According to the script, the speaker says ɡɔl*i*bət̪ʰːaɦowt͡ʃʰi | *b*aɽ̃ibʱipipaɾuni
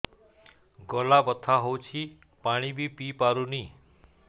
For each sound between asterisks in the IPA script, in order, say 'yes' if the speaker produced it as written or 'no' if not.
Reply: no, no

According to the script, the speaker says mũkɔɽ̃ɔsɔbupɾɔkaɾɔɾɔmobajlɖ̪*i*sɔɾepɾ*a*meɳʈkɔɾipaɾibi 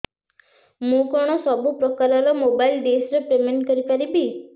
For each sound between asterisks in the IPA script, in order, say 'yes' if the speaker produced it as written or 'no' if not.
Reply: no, no

